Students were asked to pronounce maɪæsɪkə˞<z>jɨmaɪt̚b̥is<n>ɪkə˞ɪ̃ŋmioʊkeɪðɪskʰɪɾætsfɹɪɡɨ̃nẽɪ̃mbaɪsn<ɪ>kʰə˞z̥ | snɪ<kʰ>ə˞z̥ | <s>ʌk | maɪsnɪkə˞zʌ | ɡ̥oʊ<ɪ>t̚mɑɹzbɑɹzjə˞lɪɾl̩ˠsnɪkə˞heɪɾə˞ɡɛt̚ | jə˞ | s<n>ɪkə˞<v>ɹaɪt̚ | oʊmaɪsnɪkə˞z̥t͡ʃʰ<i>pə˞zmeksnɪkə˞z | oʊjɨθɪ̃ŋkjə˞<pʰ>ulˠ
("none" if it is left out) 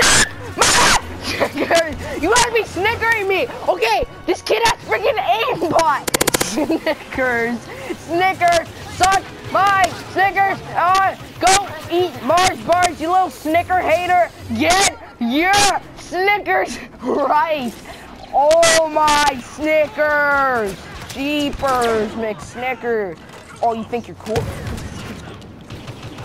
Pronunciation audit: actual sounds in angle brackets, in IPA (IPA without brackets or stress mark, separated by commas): z, n, ɪ, k, s, i, n, z, i, kʰ